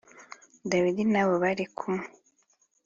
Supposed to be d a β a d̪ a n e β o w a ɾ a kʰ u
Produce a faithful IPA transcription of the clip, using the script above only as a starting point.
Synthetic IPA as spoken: d a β i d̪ i n a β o β a ɾ i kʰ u